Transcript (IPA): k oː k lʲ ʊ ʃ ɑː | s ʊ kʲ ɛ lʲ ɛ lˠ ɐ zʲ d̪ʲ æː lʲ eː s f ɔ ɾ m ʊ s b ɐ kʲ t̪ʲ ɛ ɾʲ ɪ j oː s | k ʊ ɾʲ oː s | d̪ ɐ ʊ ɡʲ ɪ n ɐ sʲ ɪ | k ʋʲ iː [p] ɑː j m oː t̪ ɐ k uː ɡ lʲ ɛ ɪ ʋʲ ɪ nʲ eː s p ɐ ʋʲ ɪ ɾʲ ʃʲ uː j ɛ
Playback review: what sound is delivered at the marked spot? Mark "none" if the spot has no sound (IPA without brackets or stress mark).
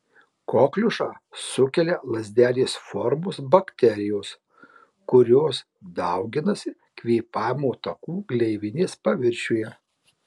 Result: p